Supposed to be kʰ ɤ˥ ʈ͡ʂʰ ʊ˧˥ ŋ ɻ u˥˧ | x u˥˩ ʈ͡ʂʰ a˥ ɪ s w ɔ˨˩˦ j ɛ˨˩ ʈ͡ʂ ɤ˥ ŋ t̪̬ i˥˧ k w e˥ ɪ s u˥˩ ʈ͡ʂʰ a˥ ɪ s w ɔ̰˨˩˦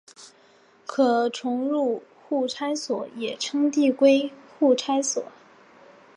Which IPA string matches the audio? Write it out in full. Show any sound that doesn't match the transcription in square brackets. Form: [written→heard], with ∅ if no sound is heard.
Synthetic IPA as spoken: kʰ [ɤ˥→ɤ˨˩] ʈ͡ʂʰ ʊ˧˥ ŋ ɻ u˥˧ | x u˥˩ ʈ͡ʂʰ a˥ ɪ s w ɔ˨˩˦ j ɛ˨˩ [ʈ͡ʂ→ʈ͡ʂʰ] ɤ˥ ŋ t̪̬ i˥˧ k w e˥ ɪ [s→x] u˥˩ ʈ͡ʂʰ a˥ ɪ s w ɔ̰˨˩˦